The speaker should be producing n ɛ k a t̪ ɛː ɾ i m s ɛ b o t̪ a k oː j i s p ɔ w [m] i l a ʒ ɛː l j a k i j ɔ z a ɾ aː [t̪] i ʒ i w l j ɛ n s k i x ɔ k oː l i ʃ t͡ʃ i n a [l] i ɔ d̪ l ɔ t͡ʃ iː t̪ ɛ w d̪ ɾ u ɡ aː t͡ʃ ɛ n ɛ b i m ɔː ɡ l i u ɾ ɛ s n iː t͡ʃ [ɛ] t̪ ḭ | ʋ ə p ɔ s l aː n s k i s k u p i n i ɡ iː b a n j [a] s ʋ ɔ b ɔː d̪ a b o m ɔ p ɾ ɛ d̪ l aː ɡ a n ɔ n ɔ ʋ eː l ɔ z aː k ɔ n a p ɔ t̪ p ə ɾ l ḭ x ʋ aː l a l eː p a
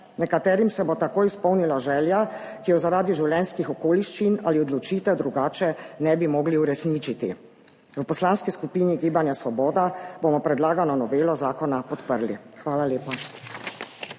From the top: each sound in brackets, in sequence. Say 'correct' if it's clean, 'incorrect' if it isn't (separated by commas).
incorrect, incorrect, correct, incorrect, correct